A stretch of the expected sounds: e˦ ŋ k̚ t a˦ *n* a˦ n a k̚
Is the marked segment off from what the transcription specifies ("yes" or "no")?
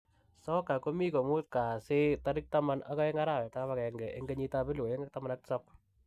yes